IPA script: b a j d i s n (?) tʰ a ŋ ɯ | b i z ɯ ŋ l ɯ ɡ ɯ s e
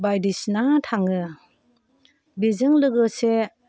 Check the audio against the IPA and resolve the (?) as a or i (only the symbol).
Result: a